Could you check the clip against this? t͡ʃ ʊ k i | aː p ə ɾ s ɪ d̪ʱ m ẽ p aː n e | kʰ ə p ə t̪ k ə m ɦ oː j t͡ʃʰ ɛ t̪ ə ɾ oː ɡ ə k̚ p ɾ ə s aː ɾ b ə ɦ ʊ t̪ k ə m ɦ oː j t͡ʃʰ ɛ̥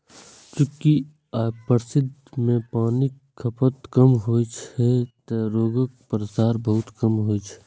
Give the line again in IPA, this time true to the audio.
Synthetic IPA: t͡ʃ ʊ k i | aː p ə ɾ s ɪ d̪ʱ m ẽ p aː n i | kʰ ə p ə t̪ k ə m ɦ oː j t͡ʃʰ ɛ t̪ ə ɾ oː ɡ ə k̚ p ɾ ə s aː ɾ b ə ɦ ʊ t̪ k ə m ɦ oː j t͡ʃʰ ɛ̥